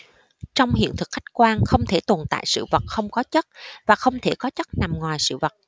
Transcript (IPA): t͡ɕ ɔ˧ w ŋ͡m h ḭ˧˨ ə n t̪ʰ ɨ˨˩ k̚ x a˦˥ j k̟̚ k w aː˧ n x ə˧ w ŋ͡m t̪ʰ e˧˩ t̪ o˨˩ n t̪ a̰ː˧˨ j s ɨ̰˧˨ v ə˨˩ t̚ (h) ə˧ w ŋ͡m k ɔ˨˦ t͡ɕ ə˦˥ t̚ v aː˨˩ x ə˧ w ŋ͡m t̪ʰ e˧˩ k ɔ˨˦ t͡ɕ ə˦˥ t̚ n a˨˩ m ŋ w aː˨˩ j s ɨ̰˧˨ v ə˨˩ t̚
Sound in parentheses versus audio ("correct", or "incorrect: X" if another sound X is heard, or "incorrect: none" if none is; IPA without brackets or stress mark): incorrect: x